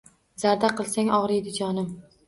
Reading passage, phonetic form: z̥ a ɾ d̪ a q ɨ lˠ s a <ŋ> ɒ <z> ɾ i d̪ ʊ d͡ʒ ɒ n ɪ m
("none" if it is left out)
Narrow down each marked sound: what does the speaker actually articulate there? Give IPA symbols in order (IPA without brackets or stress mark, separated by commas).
ŋ, ʁ